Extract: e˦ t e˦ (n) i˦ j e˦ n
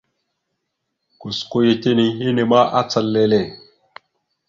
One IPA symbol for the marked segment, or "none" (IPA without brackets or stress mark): n